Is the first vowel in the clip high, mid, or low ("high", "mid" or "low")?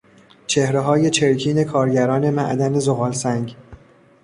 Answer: mid